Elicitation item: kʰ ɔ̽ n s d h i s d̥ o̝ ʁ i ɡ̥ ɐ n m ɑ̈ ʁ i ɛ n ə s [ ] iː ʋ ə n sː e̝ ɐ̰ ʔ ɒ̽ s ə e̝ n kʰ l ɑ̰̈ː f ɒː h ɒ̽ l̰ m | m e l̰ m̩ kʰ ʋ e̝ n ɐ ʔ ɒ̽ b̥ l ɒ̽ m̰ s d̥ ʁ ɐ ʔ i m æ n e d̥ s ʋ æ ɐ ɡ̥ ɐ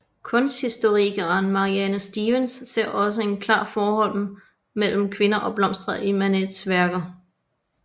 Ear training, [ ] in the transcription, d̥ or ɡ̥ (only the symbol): d̥